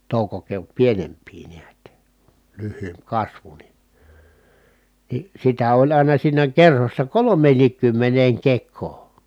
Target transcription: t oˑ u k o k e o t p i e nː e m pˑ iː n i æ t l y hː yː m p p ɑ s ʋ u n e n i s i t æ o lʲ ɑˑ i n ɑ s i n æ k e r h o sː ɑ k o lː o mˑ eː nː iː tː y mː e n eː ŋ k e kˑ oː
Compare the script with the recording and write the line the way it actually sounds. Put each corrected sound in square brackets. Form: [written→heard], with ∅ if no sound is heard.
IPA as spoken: t oˑ u k o k e o t p i e [nː→n] e m pˑ iː n i æ t l y hː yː m p [p→k] ɑ s ʋ u n [e→i] n i s i t æ o lʲ ɑˑ i n ɑ s [i→iː] n æ k e r h o sː ɑ k o [lː→l] o mˑ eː nː iː [tː→kː] y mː e n eː ŋ k e kˑ oː